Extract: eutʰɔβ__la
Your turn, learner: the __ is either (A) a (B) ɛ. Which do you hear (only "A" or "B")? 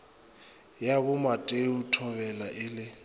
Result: B